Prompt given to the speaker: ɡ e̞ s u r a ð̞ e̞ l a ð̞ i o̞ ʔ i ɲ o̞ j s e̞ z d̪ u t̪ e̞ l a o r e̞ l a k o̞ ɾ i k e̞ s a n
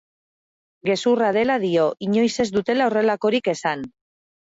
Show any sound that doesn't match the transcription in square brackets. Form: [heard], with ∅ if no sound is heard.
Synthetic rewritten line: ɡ e̞ s u r a ð̞ e̞ l a ð̞ i o̞ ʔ i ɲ o̞ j s e̞ z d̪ u t̪ e̞ l a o r e̞ l a k o̞ ɾ i k e̞ s a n